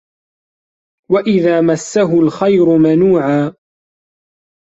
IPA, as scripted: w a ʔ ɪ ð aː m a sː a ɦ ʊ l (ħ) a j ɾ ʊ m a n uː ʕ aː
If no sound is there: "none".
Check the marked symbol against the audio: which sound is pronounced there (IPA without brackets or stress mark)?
x